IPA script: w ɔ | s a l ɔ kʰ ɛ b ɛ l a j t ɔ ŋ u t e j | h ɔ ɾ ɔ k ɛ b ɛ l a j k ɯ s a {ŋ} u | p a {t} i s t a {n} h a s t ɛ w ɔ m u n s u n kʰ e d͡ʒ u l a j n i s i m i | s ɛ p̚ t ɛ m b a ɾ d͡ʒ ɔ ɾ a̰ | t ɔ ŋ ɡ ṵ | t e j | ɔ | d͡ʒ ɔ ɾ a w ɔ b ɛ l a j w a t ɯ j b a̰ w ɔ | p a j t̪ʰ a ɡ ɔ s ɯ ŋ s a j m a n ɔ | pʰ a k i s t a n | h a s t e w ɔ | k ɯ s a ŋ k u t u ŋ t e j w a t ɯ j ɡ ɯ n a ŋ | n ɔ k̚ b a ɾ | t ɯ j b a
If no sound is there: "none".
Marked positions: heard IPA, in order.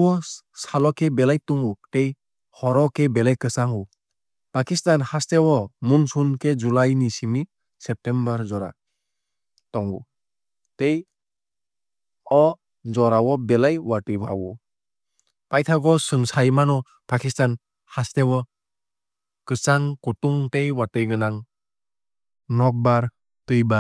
ŋ, k, n

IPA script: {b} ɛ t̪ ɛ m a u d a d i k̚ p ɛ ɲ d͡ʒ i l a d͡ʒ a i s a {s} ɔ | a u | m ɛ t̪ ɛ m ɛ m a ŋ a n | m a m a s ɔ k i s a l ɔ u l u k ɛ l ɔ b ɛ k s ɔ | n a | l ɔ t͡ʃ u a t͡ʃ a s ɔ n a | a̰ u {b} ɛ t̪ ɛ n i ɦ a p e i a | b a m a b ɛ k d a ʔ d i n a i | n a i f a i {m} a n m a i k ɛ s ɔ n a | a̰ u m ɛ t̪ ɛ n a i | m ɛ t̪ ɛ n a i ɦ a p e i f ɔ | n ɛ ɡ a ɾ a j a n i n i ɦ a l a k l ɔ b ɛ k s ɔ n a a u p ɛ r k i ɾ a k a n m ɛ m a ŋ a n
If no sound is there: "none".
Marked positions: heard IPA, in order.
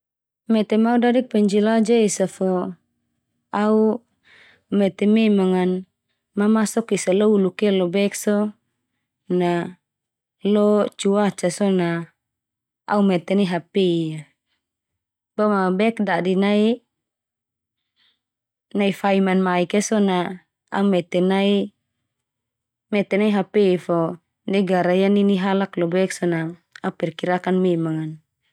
m, f, m, m

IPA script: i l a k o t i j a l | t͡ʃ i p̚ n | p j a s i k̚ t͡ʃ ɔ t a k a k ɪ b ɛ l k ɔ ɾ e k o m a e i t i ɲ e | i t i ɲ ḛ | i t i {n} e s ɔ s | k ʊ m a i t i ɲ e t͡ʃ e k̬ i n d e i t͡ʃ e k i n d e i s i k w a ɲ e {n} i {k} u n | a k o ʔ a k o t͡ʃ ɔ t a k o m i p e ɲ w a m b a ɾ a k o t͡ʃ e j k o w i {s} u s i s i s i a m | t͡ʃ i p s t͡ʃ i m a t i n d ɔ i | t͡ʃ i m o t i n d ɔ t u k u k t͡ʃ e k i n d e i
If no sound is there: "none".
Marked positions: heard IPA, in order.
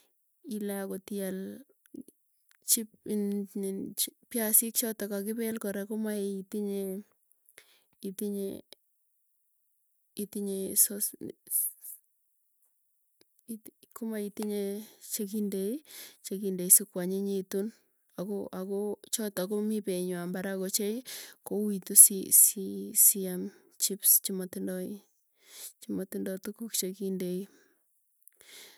ɲ, ɲ, t, t

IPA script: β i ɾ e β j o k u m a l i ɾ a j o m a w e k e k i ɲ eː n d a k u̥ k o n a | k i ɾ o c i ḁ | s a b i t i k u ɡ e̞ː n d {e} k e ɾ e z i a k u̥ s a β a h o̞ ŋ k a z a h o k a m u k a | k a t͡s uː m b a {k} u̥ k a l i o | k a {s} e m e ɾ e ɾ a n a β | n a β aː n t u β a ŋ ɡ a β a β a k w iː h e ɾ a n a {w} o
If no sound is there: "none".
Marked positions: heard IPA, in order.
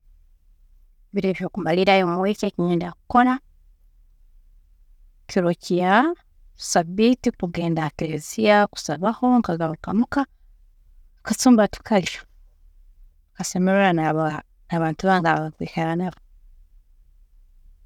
a, t, s, β

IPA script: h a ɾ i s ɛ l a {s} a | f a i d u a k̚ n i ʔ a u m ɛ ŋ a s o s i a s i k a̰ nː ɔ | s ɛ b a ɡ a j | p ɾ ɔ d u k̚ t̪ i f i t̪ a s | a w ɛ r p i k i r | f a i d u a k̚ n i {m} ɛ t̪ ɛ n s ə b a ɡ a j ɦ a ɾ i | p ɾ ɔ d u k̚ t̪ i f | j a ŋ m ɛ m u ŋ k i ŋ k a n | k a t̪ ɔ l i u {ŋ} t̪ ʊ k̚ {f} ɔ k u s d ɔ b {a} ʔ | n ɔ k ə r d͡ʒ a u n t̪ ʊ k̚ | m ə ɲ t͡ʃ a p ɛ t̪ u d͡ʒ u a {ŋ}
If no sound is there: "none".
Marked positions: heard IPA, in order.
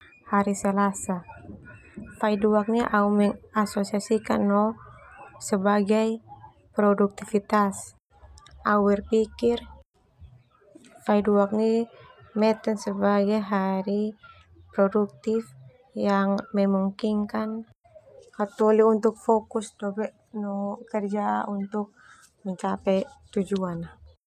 s, m, n, f, ɛ, n

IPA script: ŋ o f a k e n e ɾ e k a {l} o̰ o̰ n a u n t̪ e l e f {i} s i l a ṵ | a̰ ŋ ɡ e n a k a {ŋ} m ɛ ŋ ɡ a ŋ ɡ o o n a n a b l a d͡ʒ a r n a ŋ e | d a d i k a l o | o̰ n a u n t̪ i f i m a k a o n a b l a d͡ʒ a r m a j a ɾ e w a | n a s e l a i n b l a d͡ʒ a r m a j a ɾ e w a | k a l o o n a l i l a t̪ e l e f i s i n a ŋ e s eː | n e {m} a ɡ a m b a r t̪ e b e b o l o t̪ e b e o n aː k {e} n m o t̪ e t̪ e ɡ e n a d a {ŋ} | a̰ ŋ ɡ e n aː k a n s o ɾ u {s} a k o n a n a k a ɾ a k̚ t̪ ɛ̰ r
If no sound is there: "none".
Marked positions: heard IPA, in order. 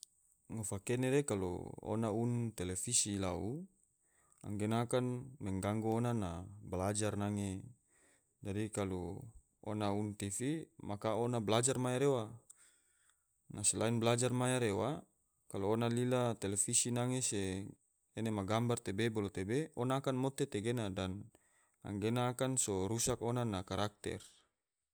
l, i, n, m, a, n, s

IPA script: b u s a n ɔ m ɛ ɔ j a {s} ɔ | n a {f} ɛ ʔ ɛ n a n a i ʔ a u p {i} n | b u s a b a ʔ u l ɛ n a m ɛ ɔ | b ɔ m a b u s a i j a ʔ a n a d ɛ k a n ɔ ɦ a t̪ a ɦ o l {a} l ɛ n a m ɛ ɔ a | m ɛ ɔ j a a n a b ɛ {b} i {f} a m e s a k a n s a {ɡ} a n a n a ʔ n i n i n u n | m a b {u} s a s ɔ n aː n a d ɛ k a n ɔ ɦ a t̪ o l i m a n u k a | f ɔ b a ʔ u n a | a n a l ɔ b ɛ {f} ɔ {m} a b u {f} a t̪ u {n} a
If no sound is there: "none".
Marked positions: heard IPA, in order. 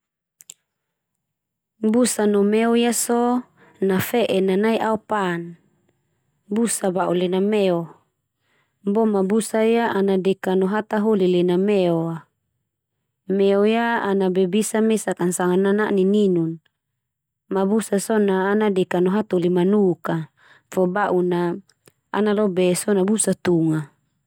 s, f, a, i, b, s, ŋ, u, s, n, s, ŋ

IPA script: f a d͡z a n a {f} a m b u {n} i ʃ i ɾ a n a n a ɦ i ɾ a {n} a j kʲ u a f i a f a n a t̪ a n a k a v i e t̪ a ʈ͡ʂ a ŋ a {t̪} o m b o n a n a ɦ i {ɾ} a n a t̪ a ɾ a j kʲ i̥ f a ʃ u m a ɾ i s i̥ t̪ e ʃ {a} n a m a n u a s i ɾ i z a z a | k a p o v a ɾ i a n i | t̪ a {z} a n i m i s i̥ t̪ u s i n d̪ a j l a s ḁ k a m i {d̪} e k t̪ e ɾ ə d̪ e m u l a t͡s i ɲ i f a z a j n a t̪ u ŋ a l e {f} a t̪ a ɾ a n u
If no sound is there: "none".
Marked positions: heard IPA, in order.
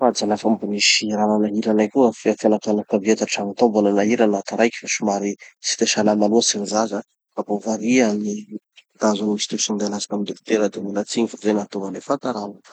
f, n, n, t̪, ɾ, a, z, d̪, f

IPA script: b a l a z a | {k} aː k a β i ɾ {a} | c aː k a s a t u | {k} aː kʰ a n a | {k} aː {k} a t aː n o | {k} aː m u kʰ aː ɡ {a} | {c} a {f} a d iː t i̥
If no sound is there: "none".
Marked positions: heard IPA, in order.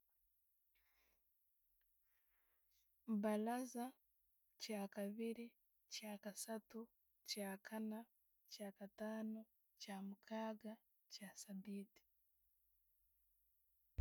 c, i, c, c, k, c, a, c, s

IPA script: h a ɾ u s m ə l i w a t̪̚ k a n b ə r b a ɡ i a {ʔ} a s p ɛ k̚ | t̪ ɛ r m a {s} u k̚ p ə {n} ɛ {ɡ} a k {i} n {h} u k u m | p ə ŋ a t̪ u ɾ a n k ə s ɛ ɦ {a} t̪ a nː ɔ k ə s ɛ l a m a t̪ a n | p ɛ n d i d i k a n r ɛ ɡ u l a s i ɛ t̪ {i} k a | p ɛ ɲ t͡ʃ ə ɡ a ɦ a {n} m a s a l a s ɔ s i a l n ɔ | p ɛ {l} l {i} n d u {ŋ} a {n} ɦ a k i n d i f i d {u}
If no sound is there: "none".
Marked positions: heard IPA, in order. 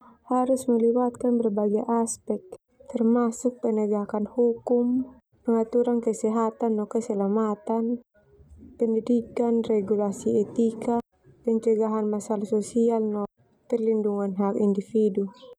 ʔ, s, n, ɡ, a, h, a, i, n, r, i, ŋ, n, u

